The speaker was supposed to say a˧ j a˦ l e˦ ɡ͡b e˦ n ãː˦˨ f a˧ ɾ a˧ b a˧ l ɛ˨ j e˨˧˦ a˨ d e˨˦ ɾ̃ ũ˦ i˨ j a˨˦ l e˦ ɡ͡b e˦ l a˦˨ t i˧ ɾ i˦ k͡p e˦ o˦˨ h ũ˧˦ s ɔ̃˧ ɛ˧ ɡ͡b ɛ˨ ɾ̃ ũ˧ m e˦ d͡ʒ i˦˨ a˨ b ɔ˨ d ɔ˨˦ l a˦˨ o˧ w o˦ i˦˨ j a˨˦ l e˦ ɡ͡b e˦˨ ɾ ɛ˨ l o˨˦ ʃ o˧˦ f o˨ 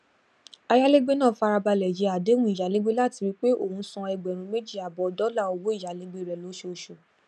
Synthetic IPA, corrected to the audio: a˧ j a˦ l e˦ ɡ͡b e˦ n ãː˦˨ f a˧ ɾ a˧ b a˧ l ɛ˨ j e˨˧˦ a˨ d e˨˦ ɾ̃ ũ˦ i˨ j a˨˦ l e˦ ɡ͡b e˦ l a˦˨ t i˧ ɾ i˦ k͡p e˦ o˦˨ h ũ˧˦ s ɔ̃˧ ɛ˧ ɡ͡b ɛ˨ ɾ̃ ũ˧ m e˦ d͡ʒ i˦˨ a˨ b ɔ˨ d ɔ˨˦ l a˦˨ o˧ w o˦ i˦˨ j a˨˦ l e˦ ɡ͡b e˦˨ ɾ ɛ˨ l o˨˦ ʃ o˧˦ ʃ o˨